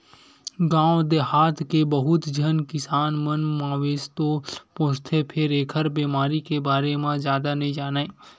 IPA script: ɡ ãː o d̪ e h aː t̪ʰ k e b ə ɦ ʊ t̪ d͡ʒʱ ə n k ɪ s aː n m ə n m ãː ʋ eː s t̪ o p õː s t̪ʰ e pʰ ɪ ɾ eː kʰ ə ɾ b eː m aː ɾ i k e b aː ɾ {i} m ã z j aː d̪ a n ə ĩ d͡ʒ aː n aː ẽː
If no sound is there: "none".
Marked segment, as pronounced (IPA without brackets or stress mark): e